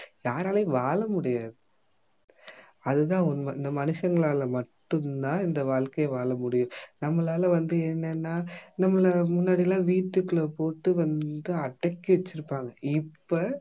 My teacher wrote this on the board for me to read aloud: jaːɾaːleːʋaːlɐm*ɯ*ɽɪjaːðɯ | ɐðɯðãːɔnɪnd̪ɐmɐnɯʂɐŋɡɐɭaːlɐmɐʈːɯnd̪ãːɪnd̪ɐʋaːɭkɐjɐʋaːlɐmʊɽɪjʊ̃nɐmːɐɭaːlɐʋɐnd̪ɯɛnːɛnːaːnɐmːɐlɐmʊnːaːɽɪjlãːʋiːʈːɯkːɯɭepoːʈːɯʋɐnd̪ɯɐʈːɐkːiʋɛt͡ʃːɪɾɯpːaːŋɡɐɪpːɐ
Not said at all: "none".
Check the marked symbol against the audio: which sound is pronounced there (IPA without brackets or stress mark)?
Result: ʊ